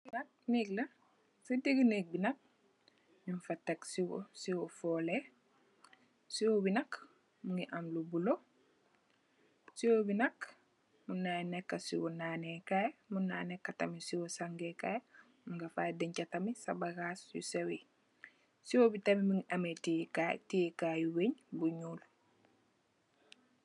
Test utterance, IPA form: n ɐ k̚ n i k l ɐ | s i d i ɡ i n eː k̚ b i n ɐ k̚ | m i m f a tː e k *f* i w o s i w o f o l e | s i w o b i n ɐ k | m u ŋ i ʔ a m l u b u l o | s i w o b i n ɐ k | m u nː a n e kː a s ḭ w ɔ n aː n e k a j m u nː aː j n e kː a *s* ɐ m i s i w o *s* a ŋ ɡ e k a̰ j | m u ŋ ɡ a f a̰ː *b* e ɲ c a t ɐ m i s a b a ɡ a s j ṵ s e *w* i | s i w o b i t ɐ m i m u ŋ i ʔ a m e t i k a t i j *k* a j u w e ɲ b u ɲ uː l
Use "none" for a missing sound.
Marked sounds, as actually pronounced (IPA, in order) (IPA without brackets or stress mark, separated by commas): s, t, s, d, w, k